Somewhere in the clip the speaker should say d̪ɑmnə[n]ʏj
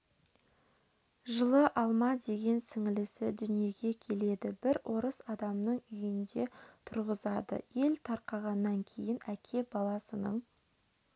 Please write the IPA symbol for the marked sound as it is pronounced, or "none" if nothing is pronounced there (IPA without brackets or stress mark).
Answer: ɴ